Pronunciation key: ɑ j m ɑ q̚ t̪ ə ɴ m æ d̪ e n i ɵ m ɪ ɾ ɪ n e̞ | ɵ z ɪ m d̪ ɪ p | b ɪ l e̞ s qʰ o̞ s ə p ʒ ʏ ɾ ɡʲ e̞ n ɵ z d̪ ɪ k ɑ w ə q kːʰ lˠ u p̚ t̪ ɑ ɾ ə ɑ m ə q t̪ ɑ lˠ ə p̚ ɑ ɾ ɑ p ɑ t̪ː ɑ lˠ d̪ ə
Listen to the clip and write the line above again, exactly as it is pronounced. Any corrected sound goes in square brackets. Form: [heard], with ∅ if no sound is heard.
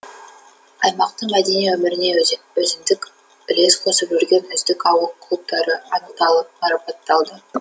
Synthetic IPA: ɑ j m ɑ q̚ t̪ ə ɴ m æ d̪ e n i ɵ m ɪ ɾ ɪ n e̞ | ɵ z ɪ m d̪ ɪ [k] | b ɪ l e̞ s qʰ o̞ s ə p ʒ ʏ ɾ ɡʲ e̞ n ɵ z d̪ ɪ k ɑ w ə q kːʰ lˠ u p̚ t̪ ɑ ɾ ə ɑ [n] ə q t̪ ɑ lˠ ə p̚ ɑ ɾ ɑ p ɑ t̪ː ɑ lˠ d̪ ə